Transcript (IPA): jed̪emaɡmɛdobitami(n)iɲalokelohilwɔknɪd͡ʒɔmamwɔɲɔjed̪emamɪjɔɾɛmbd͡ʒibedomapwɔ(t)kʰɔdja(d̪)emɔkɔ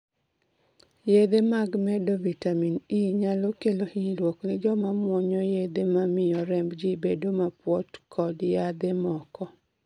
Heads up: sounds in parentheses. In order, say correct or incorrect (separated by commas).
correct, correct, correct